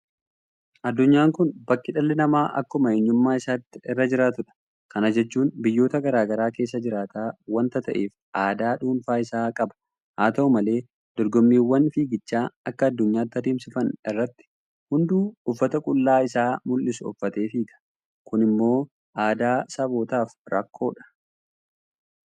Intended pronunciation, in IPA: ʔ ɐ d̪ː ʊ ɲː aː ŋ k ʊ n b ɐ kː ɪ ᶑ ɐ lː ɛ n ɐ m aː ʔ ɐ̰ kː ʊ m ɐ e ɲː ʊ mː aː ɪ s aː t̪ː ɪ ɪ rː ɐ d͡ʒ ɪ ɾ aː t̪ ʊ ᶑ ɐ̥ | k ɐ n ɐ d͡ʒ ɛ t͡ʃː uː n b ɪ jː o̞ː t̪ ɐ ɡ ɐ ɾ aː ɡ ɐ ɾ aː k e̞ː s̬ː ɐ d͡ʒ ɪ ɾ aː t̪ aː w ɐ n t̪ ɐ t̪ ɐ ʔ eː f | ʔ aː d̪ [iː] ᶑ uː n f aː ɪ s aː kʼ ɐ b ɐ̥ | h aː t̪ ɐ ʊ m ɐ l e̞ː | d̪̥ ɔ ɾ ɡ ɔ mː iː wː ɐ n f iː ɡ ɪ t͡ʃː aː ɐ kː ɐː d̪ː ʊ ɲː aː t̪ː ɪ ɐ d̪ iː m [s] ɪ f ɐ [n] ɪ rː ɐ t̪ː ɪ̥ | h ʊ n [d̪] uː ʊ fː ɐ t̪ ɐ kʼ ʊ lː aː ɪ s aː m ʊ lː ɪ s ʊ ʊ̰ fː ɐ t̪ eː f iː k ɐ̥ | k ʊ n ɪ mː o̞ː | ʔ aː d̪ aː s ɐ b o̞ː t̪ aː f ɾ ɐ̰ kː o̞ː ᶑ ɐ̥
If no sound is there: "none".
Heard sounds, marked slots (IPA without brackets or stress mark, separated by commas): aː, s, n, d̪